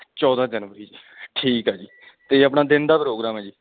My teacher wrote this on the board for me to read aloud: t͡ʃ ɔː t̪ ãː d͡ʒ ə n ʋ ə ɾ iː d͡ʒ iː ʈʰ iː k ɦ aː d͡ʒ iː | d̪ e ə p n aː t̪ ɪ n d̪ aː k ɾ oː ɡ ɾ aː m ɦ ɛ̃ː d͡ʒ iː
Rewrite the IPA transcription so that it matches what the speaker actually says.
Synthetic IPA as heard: t͡ʃ ɔː d̪ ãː d͡ʒ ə n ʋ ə ɾ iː d͡ʒ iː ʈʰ iː k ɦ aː d͡ʒ iː | t̪ e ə p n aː d̪ ɪ n d̪ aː p ɾ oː ɡ ɾ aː m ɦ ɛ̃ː d͡ʒ iː